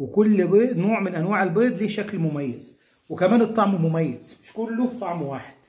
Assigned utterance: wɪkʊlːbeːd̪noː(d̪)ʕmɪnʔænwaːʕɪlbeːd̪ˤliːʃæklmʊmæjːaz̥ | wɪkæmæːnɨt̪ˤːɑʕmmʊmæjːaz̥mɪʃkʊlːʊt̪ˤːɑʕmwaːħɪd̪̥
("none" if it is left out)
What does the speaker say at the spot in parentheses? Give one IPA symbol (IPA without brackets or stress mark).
none